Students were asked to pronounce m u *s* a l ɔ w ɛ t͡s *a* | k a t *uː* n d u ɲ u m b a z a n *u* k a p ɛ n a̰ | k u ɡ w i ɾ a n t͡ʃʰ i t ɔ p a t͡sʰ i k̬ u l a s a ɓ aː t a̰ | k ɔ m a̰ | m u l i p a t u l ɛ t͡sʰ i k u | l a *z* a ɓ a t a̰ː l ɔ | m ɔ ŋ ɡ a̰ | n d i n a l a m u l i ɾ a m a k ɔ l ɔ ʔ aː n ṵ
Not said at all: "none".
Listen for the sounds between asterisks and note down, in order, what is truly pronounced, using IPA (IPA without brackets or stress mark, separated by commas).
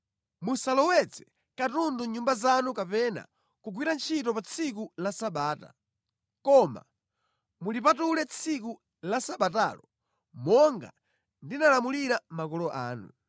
s, ɛ, u, u, s